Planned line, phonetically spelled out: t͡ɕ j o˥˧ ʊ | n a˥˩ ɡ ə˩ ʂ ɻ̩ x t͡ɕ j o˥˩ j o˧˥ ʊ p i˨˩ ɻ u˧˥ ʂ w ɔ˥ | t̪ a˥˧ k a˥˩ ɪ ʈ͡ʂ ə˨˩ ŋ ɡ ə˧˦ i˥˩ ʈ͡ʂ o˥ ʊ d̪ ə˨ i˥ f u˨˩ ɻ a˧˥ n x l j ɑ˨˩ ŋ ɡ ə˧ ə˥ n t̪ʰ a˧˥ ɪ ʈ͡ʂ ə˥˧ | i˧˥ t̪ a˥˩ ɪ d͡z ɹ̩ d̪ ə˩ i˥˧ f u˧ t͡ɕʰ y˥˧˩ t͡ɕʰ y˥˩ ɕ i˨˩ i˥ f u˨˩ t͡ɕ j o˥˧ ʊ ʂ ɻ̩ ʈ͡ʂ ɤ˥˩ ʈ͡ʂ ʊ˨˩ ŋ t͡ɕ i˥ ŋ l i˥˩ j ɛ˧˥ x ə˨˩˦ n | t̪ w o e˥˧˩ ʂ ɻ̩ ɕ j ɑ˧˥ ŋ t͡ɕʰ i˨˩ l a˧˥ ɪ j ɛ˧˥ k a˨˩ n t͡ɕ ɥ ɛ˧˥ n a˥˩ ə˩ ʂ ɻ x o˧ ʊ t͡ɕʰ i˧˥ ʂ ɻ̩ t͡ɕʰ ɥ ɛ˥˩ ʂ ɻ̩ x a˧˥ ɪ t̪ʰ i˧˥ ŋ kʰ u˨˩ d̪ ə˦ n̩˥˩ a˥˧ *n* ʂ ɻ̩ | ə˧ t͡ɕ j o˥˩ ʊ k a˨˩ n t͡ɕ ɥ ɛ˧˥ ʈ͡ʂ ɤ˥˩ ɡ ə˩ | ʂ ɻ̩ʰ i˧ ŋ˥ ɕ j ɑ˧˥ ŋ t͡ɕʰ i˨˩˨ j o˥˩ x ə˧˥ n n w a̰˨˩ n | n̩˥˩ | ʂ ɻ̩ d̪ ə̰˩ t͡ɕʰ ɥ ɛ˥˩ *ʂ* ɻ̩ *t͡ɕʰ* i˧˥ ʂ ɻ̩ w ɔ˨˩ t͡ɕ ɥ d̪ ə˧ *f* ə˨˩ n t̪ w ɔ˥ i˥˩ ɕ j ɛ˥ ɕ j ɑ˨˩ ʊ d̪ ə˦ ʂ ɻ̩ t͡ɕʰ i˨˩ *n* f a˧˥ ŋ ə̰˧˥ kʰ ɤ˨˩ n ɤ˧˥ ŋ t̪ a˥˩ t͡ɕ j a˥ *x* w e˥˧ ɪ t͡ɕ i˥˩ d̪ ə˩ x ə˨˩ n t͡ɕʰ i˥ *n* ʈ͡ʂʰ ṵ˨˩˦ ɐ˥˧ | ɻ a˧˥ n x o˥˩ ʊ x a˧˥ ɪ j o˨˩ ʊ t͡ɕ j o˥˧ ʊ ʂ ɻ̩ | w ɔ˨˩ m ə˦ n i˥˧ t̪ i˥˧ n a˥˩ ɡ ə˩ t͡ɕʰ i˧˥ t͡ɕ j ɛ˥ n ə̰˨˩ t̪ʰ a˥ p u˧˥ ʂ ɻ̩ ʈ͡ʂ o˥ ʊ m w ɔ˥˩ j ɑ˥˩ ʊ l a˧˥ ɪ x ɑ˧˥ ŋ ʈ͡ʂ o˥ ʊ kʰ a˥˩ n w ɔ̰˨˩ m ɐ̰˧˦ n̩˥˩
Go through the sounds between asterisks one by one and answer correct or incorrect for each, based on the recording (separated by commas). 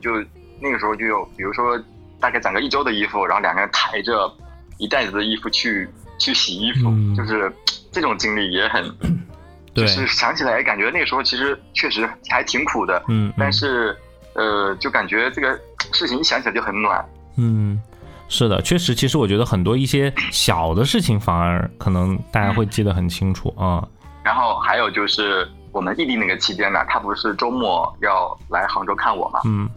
correct, correct, correct, incorrect, incorrect, correct, incorrect